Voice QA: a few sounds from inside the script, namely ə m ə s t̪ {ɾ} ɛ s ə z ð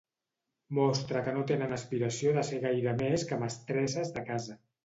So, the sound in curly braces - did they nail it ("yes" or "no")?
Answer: yes